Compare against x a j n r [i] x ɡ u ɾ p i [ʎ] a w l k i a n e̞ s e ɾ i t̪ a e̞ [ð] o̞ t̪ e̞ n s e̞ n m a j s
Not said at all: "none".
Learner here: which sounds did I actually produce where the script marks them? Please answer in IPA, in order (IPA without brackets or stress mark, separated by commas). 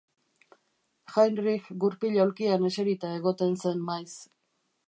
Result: i, ʎ, ɣ